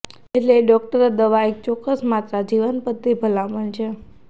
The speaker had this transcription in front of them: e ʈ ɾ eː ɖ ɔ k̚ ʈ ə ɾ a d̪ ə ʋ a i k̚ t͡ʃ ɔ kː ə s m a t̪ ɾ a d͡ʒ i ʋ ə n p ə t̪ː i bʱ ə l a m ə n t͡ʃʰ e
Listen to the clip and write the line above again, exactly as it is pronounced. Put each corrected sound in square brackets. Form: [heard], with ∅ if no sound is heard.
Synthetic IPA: e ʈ [l] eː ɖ ɔ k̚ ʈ ə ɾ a d̪ ə ʋ a [e] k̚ t͡ʃ ɔ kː ə s m a t̪ ɾ a d͡ʒ i ʋ ə n p ə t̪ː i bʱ ə l a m ə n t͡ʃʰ e